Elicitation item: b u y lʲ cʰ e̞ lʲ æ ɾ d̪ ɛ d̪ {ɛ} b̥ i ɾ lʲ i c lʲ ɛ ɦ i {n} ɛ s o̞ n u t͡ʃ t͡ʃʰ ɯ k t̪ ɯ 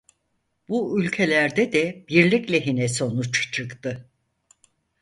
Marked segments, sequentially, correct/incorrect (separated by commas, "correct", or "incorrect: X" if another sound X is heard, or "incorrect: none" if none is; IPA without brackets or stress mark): correct, correct